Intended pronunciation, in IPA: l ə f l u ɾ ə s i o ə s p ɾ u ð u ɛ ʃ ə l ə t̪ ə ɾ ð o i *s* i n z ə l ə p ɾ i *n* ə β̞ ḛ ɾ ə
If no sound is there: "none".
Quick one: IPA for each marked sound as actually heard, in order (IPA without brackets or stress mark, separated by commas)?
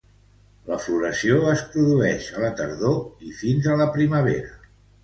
f, m